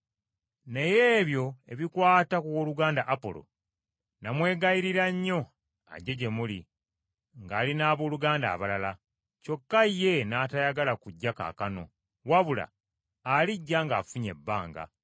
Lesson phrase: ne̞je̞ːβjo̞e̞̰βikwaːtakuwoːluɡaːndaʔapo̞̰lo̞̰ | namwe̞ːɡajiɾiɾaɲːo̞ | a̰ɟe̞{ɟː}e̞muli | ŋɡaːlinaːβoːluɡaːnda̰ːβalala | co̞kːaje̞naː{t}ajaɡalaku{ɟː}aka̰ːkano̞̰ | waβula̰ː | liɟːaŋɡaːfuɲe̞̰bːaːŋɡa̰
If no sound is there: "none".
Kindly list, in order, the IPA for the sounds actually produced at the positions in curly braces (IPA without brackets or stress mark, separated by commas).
ɟ, t, ɟː